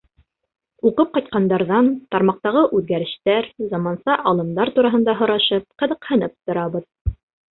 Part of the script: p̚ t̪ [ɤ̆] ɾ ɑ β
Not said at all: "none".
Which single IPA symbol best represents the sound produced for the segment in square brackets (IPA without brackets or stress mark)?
ŏ